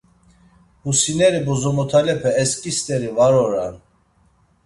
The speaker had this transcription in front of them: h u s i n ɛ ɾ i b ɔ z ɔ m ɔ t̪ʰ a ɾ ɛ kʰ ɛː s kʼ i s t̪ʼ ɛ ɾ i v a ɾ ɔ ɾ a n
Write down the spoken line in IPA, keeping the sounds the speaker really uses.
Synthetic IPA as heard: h u s i n ɛ ɾ i b ɔ z ɔ m ɔ t̪ʰ a l ɛ pʰ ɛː s kʼ i s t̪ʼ ɛ ɾ i v a ɾ ɔ ɾ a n